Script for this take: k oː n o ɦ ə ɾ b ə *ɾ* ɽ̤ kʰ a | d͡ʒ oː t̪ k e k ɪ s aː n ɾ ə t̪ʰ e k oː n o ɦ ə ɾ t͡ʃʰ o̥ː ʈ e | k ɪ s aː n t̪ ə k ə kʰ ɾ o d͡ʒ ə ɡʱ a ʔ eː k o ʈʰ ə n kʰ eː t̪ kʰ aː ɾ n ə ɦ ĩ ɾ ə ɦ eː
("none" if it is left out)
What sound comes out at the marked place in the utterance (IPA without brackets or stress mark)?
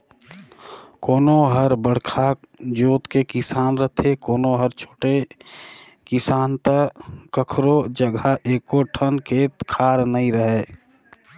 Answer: none